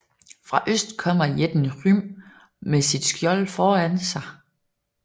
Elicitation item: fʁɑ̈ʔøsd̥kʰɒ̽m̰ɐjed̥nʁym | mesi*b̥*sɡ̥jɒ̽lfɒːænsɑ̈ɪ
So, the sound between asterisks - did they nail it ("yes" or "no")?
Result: no